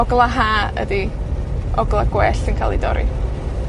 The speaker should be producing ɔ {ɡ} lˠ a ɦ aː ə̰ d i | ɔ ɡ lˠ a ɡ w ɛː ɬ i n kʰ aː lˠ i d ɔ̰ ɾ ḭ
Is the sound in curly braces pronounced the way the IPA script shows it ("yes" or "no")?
yes